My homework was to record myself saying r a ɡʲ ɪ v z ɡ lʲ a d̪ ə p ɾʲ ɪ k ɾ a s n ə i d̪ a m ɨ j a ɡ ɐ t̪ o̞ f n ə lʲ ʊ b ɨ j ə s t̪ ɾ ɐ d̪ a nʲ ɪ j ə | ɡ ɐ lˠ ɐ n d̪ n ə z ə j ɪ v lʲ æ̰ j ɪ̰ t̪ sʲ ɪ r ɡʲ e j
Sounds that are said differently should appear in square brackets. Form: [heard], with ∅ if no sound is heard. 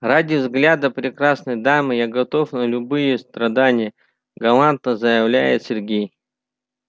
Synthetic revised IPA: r a [dʲ] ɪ v z ɡ lʲ a d̪ ə p ɾʲ ɪ k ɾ a s n ə [j] d̪ a m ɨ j a ɡ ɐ t̪ o̞ f n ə lʲ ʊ b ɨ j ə s t̪ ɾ ɐ d̪ a nʲ ɪ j ə | ɡ ɐ lˠ [a] n [t̪] n ə z ə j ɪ v lʲ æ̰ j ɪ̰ t̪ sʲ ɪ r ɡʲ e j

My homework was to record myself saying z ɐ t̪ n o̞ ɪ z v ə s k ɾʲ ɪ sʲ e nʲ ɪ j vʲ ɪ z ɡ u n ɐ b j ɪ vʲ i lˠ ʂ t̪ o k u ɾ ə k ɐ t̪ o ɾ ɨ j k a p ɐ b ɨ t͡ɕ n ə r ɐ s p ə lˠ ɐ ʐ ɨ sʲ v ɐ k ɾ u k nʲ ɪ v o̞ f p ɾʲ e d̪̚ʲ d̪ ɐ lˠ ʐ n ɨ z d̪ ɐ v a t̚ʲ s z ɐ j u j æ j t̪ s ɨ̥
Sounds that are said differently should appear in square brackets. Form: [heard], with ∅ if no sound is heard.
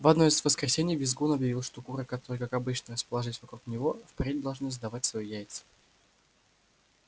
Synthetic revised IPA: [v] ɐ [d̪] n o̞ ɪ z v ə s k ɾʲ ɪ sʲ e nʲ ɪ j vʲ ɪ z ɡ u n ɐ b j ɪ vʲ i lˠ ʂ t̪ o k u ɾ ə k ɐ t̪ o ɾ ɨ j k a [k] ɐ b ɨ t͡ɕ n ə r [ə] s p ə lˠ ɐ ʐ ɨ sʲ v ɐ k ɾ u k nʲ ɪ v o̞ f p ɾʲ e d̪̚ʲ d̪ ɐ lˠ ʐ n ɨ z d̪ ɐ v a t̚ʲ s [v] ɐ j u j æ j t̪ s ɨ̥

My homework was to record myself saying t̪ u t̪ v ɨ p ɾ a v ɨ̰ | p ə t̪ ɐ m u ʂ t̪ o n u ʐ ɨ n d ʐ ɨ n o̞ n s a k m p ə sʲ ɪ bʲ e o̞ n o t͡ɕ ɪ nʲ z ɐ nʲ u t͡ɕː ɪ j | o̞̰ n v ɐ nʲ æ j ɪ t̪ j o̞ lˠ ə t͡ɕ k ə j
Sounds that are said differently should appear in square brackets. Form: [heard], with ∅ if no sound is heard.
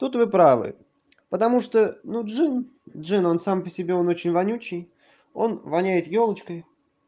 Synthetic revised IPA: t̪ u t̪ v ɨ p ɾ a v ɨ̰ | p ə t̪ ɐ m u ʂ t̪ o n u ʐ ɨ n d ʐ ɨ n o̞ n s a [∅] m p ə sʲ ɪ bʲ e o̞ n o t͡ɕ ɪ nʲ [v] ɐ nʲ u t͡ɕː ɪ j | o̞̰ n v ɐ nʲ æ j ɪ t̪ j o̞ lˠ ə t͡ɕ k ə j

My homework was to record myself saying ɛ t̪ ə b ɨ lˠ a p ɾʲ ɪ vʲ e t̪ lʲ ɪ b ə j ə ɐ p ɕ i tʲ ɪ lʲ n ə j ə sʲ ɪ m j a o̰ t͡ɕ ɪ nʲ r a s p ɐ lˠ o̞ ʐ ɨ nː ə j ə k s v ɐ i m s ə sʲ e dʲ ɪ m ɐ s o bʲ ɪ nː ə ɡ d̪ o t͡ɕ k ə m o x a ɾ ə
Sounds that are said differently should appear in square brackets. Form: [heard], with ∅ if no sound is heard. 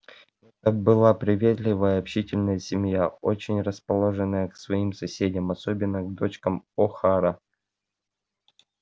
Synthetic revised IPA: ɛ t̪ ə b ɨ lˠ a p ɾʲ ɪ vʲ e t̪ lʲ ɪ [v] ə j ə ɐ p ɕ i tʲ ɪ lʲ n ə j ə sʲ ɪ m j a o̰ t͡ɕ ɪ nʲ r [ə] s p ɐ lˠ o̞ ʐ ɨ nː ə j ə k s v ɐ i m s [ɐ] sʲ e dʲ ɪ m ɐ s o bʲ ɪ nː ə ɡ d̪ o t͡ɕ k ə m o x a ɾ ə

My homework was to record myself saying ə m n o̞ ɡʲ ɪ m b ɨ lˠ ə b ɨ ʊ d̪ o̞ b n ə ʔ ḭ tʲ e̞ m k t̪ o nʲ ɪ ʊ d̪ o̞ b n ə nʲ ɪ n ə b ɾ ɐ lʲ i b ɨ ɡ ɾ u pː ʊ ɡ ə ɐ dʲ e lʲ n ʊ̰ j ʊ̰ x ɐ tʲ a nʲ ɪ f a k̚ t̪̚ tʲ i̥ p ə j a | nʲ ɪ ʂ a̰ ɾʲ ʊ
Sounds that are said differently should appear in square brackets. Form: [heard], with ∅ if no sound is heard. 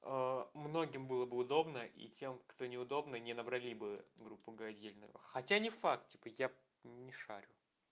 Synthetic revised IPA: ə m n o̞ ɡʲ ɪ m b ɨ lˠ ə b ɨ ʊ d̪ o̞ b n ə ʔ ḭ tʲ e̞ m k t̪ o nʲ ɪ ʊ d̪ o̞ b n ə nʲ ɪ n ə b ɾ ɐ lʲ i b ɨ ɡ ɾ u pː ʊ ɡ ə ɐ dʲ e lʲ n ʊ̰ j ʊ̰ x ɐ tʲ a nʲ ɪ f a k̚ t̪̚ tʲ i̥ p ə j a | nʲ ɪ ʂ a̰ ɾʲ ʊ

